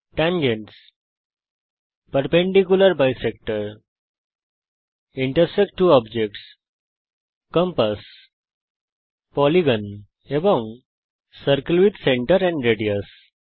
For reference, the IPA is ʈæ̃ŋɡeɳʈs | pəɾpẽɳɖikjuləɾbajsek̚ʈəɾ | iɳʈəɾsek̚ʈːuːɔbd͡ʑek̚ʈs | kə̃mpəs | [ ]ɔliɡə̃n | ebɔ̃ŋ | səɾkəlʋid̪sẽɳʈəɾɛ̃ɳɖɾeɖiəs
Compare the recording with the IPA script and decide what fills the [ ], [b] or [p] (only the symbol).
p